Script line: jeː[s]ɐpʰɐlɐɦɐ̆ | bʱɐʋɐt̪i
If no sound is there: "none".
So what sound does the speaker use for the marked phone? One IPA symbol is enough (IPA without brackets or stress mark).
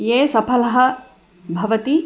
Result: s